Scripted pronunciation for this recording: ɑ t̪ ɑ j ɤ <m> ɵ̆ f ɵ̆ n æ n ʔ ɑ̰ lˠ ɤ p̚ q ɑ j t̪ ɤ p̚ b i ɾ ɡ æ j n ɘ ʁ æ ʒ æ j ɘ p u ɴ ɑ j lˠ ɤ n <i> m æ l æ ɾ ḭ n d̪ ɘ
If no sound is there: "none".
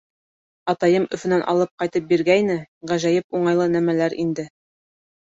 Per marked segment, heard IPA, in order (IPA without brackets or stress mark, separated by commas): m, æ